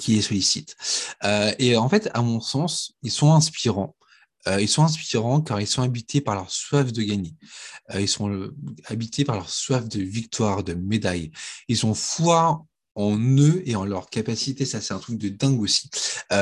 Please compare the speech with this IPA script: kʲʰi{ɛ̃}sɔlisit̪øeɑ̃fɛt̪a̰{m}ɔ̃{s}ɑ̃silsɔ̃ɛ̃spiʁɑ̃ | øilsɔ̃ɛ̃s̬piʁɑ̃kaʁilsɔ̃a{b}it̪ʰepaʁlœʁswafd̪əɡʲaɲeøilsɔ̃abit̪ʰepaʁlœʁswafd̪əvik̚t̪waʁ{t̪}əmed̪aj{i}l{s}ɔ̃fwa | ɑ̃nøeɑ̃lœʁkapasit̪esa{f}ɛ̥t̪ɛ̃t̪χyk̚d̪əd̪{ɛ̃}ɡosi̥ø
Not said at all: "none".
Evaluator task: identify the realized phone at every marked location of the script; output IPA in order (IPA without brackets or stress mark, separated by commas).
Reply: ɛ, m, s, b, d̪, i, s, s, ɛ̃